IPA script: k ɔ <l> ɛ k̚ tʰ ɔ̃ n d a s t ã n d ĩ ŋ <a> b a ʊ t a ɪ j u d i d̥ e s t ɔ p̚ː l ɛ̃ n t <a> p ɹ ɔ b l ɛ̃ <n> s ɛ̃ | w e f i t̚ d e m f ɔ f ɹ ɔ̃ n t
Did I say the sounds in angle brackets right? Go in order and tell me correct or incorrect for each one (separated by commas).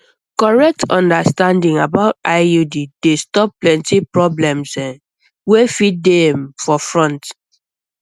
incorrect, correct, incorrect, incorrect